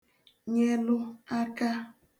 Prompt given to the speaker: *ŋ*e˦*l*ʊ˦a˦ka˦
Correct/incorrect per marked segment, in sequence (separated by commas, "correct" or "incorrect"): incorrect, correct